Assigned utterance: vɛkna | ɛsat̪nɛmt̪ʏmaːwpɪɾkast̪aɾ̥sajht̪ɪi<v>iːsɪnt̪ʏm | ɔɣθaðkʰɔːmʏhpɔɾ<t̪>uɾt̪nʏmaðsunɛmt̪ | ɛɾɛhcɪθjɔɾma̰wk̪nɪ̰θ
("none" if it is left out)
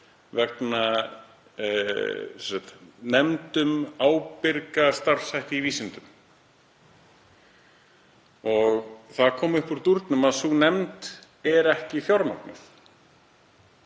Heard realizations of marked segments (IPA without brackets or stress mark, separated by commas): v, t̪